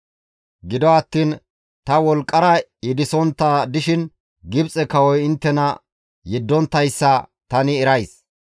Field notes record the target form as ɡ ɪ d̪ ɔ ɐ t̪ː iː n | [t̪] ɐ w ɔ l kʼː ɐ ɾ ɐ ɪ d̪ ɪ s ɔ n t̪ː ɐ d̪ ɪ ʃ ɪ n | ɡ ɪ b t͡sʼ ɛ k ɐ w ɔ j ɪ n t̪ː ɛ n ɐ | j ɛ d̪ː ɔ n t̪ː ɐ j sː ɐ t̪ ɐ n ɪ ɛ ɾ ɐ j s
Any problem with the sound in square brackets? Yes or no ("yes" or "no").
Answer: no